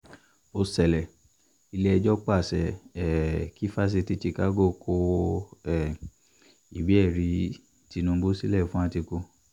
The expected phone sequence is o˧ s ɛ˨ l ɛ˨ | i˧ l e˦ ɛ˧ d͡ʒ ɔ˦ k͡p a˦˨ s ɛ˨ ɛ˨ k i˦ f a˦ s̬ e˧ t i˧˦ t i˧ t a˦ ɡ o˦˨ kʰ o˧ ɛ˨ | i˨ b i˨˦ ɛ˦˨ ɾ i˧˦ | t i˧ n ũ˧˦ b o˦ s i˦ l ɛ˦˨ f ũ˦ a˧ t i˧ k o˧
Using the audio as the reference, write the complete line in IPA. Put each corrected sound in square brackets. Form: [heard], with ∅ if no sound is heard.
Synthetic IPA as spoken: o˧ s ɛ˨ l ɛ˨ | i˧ l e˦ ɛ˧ d͡ʒ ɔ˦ k͡p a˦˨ s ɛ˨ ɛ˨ k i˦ f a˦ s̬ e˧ t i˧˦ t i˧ [k] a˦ ɡ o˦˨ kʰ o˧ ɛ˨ | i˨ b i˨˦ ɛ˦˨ ɾ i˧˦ | t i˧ n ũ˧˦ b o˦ s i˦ l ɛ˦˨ f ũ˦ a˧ t i˧ k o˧